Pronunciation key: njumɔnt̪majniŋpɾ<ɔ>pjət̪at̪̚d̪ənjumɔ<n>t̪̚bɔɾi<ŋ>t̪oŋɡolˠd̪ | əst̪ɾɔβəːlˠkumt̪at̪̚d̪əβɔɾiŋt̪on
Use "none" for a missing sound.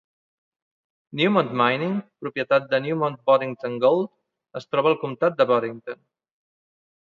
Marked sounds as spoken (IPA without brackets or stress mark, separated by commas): u, n, ŋ